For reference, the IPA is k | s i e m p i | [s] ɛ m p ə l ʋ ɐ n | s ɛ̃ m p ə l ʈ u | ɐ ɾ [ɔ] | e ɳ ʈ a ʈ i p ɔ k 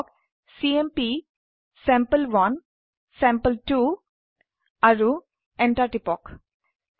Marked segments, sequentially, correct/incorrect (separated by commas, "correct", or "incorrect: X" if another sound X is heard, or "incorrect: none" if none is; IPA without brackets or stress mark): correct, incorrect: u